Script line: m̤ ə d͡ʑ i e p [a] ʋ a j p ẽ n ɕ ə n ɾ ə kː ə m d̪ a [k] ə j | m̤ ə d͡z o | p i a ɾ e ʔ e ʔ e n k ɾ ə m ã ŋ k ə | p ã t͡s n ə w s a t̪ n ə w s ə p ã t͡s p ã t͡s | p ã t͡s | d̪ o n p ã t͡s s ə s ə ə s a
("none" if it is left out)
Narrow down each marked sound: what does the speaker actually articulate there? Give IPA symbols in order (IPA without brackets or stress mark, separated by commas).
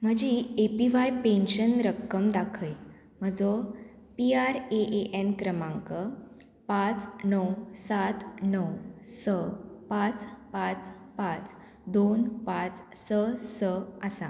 i, kʰ